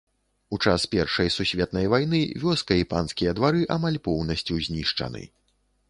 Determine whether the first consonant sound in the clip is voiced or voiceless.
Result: voiceless